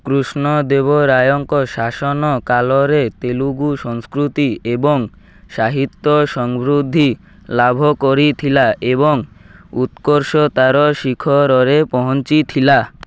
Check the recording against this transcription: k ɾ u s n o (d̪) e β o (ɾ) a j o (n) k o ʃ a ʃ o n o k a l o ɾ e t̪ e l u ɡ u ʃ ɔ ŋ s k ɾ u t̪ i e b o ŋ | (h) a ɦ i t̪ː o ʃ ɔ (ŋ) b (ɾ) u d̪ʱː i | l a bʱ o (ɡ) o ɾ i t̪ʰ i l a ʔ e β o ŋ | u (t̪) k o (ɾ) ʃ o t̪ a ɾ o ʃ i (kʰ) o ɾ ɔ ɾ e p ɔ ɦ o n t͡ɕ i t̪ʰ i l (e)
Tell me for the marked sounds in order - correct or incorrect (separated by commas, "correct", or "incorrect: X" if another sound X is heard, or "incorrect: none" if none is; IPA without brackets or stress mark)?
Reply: correct, correct, incorrect: ŋ, incorrect: ʃ, correct, correct, incorrect: k, correct, correct, correct, incorrect: a